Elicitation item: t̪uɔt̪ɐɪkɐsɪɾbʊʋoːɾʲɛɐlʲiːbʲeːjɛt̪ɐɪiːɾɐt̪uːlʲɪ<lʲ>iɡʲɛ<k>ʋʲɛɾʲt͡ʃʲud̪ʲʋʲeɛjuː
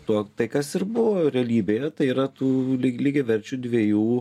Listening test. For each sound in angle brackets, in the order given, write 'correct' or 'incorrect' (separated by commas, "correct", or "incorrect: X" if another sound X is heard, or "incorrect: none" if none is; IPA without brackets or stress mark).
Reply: correct, incorrect: none